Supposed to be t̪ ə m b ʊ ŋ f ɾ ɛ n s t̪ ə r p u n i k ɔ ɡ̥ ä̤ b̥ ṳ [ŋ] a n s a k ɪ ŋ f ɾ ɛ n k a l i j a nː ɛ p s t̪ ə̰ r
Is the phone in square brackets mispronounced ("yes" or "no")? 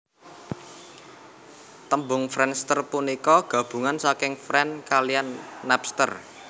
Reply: no